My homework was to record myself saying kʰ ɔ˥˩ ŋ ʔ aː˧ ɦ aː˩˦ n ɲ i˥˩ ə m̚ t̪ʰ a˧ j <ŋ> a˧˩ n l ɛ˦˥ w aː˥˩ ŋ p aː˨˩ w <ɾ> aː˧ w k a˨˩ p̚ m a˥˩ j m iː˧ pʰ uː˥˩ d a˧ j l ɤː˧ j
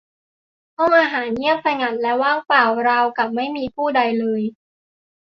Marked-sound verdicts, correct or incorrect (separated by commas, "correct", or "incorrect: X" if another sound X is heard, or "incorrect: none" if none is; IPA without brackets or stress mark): correct, correct